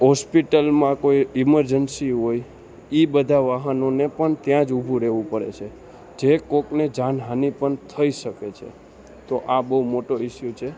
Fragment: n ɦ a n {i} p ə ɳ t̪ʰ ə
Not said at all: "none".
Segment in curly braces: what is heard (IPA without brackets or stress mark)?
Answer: i